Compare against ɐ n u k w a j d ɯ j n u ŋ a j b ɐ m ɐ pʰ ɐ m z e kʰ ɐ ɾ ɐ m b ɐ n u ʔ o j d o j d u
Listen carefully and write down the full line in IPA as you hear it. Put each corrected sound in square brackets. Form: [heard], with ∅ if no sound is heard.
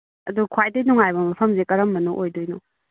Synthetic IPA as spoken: ɐ [d] u [kʰ] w a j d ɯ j n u ŋ a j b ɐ m ɐ pʰ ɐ m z e [k] ɐ ɾ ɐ m b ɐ n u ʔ o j d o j [n] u